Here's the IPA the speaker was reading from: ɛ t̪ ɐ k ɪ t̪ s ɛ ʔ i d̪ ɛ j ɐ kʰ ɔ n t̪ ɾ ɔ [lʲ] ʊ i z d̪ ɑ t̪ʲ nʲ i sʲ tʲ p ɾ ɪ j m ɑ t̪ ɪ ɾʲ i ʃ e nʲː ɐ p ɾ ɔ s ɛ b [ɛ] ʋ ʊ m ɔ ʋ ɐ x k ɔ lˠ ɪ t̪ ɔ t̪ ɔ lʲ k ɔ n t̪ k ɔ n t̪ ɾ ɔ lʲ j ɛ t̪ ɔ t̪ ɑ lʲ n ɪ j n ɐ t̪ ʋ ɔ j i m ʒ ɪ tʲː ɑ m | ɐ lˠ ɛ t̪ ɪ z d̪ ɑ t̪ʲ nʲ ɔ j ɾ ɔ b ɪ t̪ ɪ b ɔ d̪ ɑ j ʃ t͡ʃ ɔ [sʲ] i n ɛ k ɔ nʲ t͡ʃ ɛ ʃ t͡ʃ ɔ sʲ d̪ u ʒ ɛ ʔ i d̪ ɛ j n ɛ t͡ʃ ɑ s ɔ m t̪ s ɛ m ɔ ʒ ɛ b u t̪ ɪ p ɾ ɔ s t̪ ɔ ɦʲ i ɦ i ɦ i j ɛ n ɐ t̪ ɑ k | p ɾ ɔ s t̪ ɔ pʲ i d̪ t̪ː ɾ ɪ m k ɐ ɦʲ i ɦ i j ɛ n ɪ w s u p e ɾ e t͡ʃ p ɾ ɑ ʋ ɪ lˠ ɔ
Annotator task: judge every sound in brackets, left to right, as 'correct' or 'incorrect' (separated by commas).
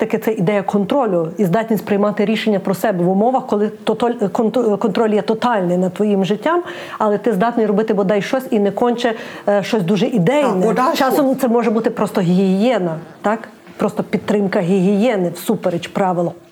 correct, correct, correct